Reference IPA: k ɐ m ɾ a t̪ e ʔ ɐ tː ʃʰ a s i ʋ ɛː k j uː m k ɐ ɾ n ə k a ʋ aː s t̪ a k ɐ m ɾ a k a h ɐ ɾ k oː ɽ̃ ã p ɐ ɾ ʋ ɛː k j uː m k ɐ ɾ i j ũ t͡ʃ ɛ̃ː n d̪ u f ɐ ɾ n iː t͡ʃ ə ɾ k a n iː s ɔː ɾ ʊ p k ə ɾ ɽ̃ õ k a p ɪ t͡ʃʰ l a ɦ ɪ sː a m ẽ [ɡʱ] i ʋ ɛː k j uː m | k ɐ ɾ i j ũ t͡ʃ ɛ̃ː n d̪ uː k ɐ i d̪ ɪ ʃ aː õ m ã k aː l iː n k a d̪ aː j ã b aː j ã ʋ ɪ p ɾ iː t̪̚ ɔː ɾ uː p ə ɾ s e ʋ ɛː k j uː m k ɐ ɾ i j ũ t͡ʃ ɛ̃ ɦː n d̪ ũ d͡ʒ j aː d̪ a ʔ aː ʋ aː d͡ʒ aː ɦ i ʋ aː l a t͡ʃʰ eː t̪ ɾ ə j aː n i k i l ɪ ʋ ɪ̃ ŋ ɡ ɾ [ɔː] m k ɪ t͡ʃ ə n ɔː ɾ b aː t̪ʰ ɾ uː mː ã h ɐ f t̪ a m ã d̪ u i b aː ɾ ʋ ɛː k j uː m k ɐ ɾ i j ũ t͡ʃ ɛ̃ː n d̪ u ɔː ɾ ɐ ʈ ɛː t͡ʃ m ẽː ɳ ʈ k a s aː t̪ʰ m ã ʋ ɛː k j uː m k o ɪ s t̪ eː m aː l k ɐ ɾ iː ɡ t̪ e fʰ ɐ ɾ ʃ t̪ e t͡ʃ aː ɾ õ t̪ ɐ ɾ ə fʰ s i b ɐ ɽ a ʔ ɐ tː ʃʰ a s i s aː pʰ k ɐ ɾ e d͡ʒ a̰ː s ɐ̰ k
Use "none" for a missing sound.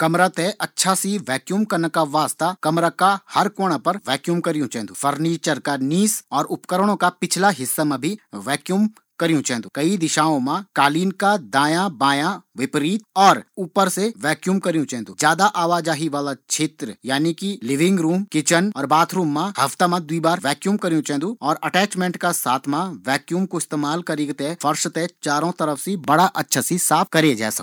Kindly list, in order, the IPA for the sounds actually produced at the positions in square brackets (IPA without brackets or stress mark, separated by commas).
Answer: bʱ, uː